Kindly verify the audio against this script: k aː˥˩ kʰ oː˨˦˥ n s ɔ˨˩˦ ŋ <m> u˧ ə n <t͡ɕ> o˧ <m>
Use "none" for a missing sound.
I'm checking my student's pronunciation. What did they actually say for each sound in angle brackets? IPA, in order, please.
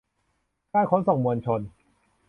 m, t͡ɕʰ, n

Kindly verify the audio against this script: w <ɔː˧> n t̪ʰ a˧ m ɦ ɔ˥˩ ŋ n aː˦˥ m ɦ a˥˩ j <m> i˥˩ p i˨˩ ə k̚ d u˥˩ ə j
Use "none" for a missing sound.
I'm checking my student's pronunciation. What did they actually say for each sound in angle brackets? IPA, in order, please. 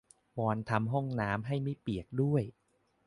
ɔː˧, m

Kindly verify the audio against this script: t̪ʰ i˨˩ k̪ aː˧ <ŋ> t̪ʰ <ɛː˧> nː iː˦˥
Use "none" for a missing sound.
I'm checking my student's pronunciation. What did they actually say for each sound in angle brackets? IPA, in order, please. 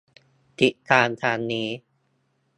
n, aː˧

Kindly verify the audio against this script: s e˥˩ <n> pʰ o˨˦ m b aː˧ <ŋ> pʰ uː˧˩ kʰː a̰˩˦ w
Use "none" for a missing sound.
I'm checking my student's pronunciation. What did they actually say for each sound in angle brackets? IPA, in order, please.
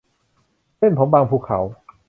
n, ŋ

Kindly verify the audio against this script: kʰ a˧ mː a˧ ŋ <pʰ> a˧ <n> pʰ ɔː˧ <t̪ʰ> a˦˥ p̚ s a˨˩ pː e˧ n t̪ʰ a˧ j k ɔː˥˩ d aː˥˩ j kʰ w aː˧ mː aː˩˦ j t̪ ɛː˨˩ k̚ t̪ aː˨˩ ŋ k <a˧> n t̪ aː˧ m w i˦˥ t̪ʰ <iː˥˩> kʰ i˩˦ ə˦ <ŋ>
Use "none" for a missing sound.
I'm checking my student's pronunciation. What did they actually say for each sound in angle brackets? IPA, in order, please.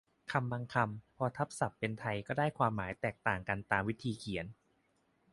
kʰ, m, t̪ʰ, a˧, iː˧, n

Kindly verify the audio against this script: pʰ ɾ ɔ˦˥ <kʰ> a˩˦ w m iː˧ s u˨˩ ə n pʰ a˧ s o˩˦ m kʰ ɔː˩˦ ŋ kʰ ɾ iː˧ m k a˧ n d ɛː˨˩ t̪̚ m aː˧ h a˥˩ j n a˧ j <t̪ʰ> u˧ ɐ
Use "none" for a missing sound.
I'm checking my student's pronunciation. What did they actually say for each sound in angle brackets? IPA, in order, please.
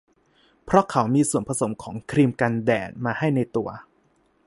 kʰ, t̪

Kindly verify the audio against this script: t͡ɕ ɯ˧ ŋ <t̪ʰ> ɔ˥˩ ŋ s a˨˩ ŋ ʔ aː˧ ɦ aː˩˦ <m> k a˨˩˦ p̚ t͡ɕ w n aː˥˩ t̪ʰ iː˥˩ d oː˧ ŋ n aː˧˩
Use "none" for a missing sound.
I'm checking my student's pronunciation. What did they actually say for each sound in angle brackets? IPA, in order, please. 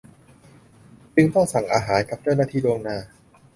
t̪, n

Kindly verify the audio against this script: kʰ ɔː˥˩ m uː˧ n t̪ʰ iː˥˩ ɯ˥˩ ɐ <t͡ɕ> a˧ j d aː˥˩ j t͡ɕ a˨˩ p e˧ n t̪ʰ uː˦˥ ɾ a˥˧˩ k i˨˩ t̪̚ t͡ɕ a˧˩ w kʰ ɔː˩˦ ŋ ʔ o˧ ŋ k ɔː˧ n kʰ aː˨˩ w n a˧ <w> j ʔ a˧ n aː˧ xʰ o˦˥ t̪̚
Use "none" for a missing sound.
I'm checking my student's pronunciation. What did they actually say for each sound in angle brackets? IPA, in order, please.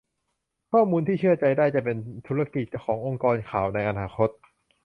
t͡ɕ, none

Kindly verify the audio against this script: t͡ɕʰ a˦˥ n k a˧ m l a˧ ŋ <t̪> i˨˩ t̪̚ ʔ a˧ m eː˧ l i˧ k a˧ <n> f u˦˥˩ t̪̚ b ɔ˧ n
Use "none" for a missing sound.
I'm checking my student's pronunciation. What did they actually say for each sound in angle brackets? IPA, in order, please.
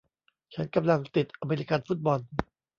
t̪, n

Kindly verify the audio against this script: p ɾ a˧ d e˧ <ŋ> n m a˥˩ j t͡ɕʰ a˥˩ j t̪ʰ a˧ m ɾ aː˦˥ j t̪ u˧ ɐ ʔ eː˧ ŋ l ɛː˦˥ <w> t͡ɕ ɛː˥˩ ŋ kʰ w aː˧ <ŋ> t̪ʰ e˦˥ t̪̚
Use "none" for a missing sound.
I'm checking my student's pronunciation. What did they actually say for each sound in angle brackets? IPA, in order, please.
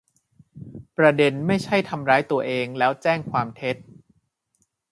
none, w, m

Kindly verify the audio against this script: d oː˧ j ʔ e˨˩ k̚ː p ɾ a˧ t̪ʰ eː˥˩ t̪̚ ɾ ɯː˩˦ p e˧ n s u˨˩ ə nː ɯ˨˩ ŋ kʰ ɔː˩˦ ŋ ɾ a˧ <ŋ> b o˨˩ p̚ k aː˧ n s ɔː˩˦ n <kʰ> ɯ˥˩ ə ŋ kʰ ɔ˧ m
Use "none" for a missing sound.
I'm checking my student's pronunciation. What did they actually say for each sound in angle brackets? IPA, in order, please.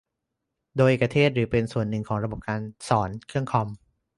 none, kʰ

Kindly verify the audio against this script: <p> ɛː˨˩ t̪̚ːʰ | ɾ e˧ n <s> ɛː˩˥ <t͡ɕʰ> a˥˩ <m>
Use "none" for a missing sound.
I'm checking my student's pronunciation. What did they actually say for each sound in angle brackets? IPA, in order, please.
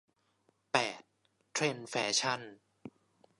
p, f, t͡ɕʰ, n

